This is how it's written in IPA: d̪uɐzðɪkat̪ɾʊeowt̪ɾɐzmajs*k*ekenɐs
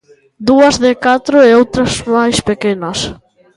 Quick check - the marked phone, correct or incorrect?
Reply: incorrect